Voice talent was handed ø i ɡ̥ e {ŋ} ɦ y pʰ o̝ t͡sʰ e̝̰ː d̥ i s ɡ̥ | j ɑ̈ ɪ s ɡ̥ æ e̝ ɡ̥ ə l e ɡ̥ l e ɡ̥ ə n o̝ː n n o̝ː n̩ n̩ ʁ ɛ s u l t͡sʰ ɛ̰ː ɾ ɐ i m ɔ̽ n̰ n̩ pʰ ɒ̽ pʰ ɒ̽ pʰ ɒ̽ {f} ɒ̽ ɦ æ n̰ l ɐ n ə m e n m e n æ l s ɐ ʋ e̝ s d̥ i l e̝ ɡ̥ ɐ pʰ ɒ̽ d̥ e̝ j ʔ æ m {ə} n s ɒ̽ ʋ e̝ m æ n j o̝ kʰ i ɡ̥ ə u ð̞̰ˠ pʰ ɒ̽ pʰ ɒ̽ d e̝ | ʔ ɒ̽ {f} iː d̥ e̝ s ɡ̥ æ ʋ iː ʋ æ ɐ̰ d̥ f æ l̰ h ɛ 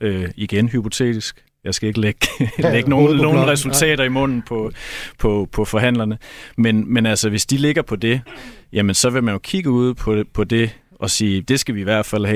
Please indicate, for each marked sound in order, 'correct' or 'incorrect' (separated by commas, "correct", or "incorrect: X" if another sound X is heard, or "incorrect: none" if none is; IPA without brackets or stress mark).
incorrect: n, correct, correct, incorrect: s